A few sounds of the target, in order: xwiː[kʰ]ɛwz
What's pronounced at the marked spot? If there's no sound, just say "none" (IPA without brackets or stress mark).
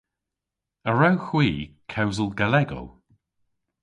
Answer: kʰ